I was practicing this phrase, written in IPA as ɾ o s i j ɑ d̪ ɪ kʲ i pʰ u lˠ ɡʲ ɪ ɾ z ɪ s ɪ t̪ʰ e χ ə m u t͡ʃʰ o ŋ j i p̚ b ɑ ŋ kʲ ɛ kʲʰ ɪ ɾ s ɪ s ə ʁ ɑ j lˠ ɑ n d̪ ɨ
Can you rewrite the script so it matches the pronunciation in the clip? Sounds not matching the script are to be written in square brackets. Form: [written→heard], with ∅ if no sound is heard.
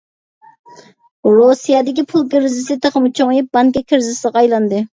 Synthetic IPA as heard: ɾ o s i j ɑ d̪ ɪ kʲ i pʰ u lˠ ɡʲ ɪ ɾ z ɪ s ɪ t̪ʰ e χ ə m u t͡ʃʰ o ŋ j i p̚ b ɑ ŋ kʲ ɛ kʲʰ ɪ ɾ [s→z] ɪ s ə ʁ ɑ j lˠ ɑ n d̪ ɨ

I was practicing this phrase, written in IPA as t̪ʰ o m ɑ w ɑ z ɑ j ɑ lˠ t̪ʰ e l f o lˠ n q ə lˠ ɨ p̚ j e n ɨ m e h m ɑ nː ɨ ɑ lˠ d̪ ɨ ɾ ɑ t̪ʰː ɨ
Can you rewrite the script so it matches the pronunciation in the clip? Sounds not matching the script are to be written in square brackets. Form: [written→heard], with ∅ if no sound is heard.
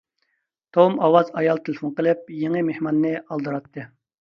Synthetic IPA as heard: t̪ʰ o m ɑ w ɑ z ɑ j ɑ lˠ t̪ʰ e l f o [lˠ→∅] n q ə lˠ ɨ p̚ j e [n→ŋ] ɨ m e h m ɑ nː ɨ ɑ lˠ d̪ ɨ ɾ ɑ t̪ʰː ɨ

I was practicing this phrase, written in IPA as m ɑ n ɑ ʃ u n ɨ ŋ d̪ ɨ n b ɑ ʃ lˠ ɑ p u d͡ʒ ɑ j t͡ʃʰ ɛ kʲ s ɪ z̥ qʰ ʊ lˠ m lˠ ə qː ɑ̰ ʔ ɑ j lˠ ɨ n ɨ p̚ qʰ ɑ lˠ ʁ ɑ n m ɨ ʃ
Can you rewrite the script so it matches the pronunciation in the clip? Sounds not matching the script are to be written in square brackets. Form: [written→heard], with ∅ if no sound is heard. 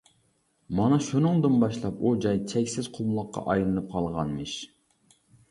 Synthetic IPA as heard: m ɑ n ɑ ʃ u n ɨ ŋ d̪ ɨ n b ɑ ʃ lˠ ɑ p u d͡ʒ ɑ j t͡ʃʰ ɛ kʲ s ɪ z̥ qʰ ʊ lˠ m lˠ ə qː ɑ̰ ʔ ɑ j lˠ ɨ n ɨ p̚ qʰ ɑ lˠ ʁ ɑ n m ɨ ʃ

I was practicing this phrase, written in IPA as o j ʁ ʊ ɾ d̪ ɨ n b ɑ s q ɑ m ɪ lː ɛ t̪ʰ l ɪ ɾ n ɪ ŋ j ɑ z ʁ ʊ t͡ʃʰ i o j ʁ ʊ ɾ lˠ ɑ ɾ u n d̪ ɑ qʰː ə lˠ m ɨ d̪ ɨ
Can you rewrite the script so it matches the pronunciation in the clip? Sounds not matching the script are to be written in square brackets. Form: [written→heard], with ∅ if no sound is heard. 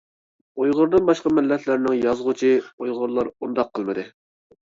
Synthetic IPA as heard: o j ʁ ʊ ɾ d̪ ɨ n b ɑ [s→ʃ] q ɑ m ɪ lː ɛ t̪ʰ l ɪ ɾ n ɪ ŋ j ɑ z ʁ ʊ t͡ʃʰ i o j ʁ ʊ ɾ lˠ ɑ ɾ u n d̪ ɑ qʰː ə lˠ m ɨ d̪ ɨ

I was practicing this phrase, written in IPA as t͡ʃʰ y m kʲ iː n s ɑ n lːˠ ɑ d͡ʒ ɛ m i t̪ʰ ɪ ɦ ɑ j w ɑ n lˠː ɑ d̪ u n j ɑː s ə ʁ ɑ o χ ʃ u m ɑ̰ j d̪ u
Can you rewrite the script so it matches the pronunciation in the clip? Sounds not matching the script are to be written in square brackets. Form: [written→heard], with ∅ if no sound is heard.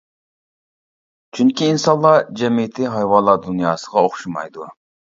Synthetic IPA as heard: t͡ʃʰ y [m→ŋ] kʲ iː n s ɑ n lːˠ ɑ d͡ʒ ɛ m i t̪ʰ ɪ ɦ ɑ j w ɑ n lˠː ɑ d̪ u n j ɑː s ə ʁ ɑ o χ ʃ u m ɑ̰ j d̪ u

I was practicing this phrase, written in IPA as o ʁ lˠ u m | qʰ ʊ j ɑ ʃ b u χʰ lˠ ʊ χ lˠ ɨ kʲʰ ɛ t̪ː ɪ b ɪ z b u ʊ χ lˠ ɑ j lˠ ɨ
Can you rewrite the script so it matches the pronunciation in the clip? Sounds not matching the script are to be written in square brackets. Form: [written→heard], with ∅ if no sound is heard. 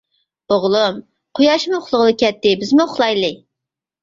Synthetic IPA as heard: o ʁ lˠ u m | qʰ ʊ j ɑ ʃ [b→m] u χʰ lˠ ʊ [χ→ʁ] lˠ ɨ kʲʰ ɛ t̪ː ɪ b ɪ z [b→m] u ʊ χ lˠ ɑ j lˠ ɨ

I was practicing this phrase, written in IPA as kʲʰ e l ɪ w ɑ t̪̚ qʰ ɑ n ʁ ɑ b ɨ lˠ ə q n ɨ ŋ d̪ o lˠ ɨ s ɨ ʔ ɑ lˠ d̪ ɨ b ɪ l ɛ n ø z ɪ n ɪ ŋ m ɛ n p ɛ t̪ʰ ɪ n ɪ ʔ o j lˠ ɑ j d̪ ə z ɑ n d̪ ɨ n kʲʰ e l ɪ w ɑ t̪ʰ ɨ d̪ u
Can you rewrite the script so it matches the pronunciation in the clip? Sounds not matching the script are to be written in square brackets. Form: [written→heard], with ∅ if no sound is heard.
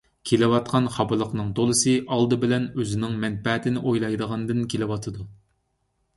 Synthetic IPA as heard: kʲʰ e l ɪ w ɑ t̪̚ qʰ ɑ n [ʁ→χ] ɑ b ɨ lˠ ə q n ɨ ŋ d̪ o lˠ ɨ s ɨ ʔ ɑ lˠ d̪ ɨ b ɪ l ɛ n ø z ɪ n ɪ ŋ m ɛ n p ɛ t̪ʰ ɪ n ɪ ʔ o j lˠ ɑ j d̪ ə [z→ʁ] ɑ n d̪ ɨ n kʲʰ e l ɪ w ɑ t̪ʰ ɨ d̪ u

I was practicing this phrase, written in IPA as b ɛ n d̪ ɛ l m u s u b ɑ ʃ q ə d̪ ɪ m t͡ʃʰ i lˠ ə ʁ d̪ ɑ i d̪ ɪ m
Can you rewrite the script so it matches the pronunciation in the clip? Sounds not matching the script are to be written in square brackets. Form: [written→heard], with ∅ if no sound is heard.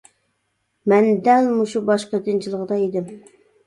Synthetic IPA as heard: [b→m] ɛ n d̪ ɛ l m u [s→ʃ] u b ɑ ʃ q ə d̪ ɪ [m→n] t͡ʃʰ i lˠ ə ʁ d̪ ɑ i d̪ ɪ m

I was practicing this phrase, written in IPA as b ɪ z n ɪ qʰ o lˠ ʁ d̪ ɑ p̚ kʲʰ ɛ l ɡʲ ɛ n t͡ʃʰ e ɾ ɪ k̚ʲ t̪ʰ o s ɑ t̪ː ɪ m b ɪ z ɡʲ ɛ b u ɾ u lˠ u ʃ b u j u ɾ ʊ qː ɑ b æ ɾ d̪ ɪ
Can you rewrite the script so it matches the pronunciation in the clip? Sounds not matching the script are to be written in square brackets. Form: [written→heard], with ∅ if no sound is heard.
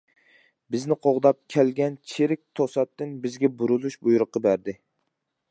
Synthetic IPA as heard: b ɪ z n ɪ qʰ o [lˠ→∅] ʁ d̪ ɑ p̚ kʲʰ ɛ l ɡʲ ɛ n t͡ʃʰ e ɾ ɪ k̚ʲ t̪ʰ o s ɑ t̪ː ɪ [m→n] b ɪ z ɡʲ ɛ b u ɾ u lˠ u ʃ b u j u ɾ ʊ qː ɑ b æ ɾ d̪ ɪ

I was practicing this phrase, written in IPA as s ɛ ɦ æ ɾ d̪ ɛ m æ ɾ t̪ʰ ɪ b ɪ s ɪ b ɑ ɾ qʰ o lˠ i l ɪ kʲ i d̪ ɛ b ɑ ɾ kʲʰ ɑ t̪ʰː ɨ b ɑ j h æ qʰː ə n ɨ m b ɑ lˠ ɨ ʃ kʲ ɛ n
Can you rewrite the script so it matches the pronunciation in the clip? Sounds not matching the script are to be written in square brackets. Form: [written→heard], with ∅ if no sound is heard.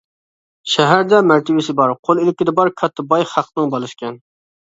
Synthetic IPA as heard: [s→ʃ] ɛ ɦ æ ɾ d̪ ɛ m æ ɾ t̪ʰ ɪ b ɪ s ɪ b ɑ ɾ qʰ o lˠ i l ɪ kʲ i d̪ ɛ b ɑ ɾ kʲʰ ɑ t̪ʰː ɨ b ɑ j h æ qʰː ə n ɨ [m→ŋ] b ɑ lˠ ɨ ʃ kʲ ɛ n

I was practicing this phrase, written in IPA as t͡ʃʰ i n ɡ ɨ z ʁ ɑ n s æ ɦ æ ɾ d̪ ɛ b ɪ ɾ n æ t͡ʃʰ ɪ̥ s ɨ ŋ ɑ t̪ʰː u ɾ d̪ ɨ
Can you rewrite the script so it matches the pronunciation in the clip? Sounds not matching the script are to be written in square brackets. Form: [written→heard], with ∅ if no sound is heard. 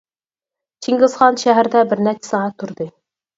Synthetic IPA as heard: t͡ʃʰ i [n→ŋ] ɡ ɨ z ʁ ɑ n [s→ʃ] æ ɦ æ ɾ d̪ ɛ b ɪ ɾ n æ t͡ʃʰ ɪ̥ s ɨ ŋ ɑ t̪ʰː u ɾ d̪ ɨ

